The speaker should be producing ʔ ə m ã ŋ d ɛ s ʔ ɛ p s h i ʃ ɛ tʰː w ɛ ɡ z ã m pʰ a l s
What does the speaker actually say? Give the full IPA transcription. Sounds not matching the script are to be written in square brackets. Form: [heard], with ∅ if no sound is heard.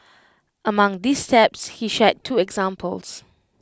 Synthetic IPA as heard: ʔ ə m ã ŋ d [i] s [t] ɛ p s h i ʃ ɛ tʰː [u] ɛ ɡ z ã m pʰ [ə] l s

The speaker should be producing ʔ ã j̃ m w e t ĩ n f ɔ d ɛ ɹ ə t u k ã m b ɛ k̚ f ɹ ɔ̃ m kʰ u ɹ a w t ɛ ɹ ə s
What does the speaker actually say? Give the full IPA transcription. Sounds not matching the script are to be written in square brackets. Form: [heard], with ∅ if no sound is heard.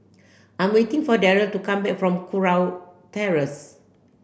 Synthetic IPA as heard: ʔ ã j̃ m w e t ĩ [ŋ] f ɔ d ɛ ɹ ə t u k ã m b ɛ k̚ f ɹ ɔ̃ m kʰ u ɹ a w t ɛ ɹ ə s

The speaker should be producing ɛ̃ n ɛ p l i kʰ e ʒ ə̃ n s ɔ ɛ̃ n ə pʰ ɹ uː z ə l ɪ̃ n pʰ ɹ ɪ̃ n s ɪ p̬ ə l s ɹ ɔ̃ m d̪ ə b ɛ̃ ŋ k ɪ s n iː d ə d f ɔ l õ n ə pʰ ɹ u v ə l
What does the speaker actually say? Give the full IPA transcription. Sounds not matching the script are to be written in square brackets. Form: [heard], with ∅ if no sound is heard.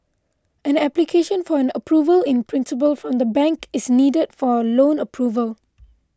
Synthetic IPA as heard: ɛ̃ n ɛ p l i kʰ e [ʃ] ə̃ n [f] ɔ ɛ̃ n ə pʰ ɹ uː [v] ə l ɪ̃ n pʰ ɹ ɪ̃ n s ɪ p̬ ə l [f] ɹ ɔ̃ m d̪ ə b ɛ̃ ŋ k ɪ s n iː d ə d f ɔ l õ n ə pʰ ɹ u v ə l

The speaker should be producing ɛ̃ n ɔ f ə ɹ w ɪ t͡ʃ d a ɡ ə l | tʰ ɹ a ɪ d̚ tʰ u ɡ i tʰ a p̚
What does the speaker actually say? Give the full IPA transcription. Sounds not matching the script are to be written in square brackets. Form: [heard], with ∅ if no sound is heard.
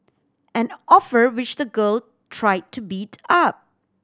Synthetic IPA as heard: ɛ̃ n ɔ f ə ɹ w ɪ t͡ʃ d [ə] ɡ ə l | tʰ ɹ a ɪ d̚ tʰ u [b] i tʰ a p̚

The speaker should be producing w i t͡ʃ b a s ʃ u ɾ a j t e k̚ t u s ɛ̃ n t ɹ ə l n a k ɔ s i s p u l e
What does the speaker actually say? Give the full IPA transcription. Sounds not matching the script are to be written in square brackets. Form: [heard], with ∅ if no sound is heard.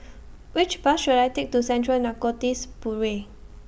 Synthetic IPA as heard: w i t͡ʃ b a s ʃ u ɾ a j t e k̚ t u s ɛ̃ n t ɹ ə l n a k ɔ [t] i s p u [ɹ] e

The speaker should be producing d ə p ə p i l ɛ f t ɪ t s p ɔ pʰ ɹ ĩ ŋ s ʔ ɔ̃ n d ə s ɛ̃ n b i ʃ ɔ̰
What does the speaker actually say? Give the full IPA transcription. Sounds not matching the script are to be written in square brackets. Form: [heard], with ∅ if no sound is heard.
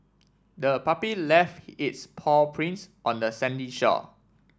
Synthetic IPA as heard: d ə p [a] p i l ɛ f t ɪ t s [pʰ] ɔ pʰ ɹ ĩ [n] s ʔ ɔ̃ n d ə s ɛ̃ n [d] i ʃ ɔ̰

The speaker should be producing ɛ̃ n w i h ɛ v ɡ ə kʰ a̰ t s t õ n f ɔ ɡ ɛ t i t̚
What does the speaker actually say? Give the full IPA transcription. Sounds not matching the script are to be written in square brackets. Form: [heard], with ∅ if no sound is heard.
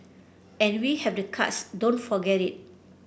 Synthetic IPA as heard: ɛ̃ n w i h ɛ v [d] ə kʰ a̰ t s [d] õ n f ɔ ɡ ɛ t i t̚

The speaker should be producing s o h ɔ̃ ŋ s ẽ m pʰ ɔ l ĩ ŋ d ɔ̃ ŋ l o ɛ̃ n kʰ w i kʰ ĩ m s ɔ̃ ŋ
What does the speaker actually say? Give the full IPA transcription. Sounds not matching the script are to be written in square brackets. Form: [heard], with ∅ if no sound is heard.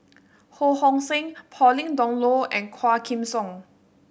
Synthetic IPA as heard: [h] o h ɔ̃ ŋ s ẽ [ŋ] pʰ ɔ l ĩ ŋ d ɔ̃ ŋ l o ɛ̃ n kʰ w [a] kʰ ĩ m s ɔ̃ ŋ

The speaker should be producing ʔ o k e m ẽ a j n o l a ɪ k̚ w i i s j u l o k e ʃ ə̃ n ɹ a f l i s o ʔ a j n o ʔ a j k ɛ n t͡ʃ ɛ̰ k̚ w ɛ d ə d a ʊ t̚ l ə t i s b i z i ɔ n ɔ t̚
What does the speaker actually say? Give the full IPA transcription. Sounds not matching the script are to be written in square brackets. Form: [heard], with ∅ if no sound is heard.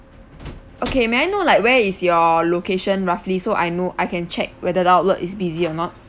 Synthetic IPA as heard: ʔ o k e m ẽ a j n o l a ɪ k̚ w [ɛ] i s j [ɔ] l o k e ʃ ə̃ n ɹ a f l i s o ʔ a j n o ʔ a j k [ɛ̃] n t͡ʃ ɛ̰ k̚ w ɛ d ə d a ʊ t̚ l ə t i s b i z i ɔ n ɔ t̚

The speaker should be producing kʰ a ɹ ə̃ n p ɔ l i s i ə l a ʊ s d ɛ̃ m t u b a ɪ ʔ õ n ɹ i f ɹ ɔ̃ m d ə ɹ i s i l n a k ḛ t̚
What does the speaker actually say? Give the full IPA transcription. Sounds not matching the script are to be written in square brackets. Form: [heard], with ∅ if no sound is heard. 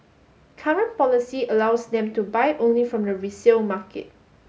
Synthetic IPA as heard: kʰ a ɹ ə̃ n p ɔ l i s i ə l a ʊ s d ɛ̃ m t u b a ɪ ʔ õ n [l] i f ɹ ɔ̃ m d ə ɹ i s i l [m] a k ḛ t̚

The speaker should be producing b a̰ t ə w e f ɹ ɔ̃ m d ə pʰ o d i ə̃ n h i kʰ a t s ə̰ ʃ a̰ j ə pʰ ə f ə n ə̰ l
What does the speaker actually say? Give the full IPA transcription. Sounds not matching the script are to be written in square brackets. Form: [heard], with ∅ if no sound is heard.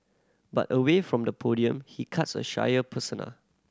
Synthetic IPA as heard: b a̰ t ə w e f ɹ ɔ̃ m d ə pʰ o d i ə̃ [m] h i kʰ a t s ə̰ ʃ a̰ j ə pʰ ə [s] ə n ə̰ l

